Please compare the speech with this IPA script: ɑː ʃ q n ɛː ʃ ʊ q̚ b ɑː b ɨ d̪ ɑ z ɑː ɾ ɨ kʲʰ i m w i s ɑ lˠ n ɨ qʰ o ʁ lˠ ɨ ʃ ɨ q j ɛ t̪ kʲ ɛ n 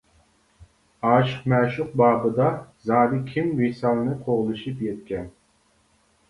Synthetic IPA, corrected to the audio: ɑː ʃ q m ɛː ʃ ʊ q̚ b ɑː b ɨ d̪ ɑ z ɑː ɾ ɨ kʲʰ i m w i s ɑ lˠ n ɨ qʰ o ʁ lˠ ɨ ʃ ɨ p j ɛ t̪ kʲ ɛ n